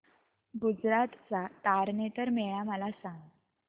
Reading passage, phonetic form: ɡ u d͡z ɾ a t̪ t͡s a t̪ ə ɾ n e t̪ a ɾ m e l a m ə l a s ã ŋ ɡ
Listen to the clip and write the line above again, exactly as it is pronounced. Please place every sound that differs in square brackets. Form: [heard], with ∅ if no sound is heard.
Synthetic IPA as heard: ɡ u d͡z ɾ a t̪ t͡s a t̪ [a] ɾ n e t̪ [ə] ɾ m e [ɭ] a m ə l a s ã ŋ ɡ